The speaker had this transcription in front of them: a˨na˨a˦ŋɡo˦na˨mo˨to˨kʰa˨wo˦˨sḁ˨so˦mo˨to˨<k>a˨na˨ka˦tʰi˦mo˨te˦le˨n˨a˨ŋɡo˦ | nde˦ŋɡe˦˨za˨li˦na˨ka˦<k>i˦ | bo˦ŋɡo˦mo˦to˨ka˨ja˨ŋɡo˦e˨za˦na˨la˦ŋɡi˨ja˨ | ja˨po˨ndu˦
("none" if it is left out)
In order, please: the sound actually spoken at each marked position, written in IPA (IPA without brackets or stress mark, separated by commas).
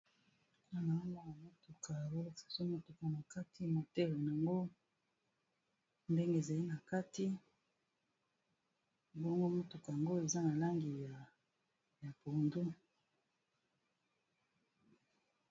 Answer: k, t